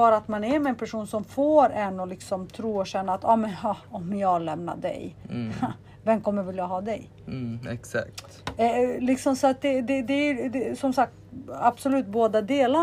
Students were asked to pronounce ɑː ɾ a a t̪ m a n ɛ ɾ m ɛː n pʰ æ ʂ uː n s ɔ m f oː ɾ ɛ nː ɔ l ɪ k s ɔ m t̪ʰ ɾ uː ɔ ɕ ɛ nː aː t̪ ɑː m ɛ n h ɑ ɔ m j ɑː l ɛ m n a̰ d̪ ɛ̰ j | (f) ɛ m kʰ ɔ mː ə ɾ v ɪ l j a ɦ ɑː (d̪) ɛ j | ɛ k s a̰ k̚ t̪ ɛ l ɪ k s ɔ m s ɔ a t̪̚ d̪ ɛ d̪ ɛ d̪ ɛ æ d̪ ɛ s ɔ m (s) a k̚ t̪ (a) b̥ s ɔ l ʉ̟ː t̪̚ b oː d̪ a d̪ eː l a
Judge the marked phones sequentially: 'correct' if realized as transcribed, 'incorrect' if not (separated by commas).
incorrect, correct, correct, correct